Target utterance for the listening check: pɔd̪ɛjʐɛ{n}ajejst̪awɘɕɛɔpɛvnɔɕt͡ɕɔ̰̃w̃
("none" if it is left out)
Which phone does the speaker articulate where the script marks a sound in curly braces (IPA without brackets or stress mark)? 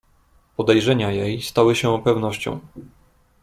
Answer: ɲ